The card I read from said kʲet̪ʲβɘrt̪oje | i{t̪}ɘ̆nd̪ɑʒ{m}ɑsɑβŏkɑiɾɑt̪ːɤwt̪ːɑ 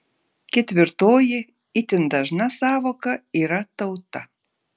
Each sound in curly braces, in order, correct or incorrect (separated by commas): correct, incorrect